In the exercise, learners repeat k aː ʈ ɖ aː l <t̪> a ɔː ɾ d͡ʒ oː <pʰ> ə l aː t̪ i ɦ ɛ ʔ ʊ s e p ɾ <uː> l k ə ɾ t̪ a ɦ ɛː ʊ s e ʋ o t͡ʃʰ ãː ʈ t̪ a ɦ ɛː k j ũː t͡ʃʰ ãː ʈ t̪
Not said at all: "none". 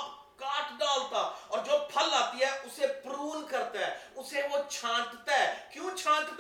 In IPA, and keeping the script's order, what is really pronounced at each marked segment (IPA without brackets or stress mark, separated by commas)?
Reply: t̪, pʰ, uː